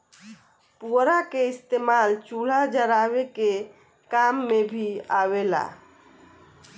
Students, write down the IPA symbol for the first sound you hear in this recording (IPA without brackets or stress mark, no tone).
p